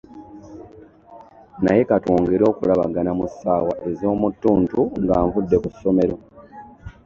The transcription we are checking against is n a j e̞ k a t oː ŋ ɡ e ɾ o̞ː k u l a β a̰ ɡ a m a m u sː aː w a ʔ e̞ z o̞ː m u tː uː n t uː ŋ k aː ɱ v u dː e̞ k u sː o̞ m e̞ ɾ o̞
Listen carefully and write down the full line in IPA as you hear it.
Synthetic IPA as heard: n a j e̞ k a t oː ŋ ɡ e ɾ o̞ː k u l a β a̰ ɡ a n a m u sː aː w a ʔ e̞ z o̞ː m u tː uː n t u ŋ ɡ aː ɱ v u dː e̞ k u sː o̞ m e̞ ɾ o̞